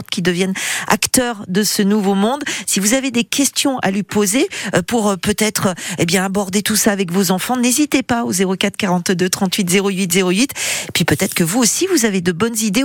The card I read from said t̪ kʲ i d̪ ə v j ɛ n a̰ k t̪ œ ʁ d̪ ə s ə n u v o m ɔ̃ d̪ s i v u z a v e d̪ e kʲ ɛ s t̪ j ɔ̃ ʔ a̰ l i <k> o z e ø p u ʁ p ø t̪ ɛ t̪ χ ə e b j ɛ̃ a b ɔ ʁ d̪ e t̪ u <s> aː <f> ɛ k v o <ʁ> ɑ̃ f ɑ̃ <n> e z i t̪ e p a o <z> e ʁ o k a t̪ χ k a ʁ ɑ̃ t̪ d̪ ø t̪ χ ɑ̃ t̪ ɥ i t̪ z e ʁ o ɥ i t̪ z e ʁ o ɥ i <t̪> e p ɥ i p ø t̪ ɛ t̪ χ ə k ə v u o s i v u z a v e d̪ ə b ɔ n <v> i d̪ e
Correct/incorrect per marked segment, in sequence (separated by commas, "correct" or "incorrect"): incorrect, correct, incorrect, incorrect, correct, correct, correct, incorrect